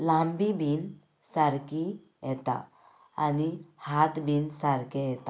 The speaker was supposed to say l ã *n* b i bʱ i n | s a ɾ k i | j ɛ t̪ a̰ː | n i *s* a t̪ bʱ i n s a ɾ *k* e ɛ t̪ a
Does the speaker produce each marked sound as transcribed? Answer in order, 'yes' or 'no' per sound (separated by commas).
no, no, yes